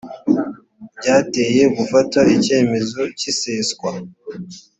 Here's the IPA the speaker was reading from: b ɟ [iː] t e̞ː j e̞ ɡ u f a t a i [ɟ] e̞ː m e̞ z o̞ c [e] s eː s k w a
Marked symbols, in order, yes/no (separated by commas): no, no, no